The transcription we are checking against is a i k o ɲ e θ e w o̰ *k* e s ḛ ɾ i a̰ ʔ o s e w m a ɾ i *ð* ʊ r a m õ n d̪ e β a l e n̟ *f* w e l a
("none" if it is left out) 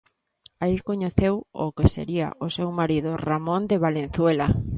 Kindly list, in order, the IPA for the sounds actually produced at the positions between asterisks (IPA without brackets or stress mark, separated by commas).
k, ð, θ